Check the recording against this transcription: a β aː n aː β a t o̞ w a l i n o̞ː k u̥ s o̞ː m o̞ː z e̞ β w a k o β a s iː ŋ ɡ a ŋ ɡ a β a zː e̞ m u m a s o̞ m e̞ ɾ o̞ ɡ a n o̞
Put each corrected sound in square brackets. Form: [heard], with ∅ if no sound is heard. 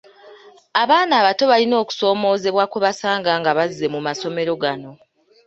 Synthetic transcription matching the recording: a β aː n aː β a t o̞ [β] a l i n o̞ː k u̥ s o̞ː m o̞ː z e̞ β w a k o β a s [aː] ŋ ɡ a ŋ ɡ a β a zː e̞ m u m a s o̞ m e̞ ɾ o̞ ɡ a n o̞